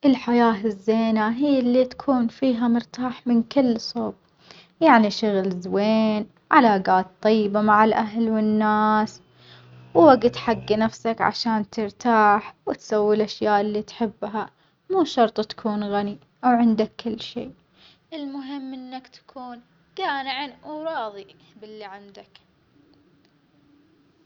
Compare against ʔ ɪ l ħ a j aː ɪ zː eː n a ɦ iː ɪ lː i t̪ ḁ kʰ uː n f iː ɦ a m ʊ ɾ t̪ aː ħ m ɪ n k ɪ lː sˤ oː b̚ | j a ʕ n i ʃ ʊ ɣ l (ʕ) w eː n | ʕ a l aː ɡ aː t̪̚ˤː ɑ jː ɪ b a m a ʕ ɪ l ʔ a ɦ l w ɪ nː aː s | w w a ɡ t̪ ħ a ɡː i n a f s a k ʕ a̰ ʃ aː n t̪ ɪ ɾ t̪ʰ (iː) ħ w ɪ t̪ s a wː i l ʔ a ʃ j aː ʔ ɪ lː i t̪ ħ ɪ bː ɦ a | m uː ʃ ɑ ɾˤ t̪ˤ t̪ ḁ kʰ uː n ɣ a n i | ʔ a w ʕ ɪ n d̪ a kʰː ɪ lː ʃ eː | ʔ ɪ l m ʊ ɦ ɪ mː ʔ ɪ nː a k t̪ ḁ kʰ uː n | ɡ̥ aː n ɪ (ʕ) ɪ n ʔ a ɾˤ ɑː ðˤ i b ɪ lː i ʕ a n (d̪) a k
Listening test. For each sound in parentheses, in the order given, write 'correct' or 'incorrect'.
incorrect: z, incorrect: aː, correct, correct

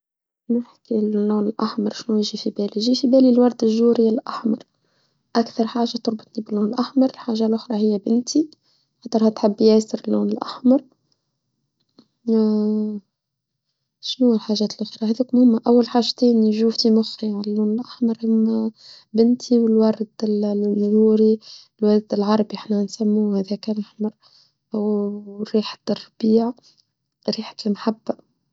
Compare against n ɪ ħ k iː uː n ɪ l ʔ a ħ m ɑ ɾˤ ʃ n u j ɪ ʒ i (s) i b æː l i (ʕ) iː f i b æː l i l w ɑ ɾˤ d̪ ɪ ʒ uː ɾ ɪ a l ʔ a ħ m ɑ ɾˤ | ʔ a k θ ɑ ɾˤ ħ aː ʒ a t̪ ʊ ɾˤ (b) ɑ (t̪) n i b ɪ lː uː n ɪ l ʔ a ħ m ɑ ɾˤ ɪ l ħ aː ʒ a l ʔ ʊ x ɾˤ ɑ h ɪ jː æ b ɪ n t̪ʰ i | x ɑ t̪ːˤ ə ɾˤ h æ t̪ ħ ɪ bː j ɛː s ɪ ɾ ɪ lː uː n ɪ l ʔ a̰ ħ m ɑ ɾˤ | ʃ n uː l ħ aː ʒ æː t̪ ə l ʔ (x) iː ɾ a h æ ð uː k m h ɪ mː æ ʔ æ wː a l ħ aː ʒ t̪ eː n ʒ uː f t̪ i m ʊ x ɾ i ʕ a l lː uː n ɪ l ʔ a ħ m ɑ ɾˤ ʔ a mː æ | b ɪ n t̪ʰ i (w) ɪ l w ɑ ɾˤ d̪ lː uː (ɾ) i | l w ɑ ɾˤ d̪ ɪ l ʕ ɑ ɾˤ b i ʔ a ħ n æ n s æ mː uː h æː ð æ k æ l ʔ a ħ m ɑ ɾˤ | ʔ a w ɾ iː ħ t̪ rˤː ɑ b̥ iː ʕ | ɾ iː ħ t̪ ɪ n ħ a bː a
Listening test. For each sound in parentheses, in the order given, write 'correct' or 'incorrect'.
incorrect: f, incorrect: ʒ, correct, correct, correct, correct, correct

